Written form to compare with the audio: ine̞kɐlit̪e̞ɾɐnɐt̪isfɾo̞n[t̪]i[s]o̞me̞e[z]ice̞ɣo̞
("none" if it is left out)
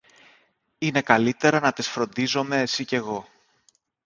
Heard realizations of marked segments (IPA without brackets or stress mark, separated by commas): d̪, z, s